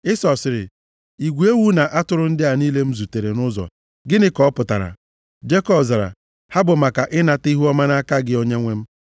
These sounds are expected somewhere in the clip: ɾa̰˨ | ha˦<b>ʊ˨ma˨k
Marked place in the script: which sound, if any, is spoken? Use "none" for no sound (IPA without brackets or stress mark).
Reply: b